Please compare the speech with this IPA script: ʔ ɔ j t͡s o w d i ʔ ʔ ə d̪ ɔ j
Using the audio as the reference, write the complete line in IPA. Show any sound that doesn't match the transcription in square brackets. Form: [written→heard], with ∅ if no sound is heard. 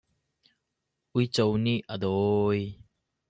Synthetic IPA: ʔ [ɔ→u] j t͡s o w [d→n] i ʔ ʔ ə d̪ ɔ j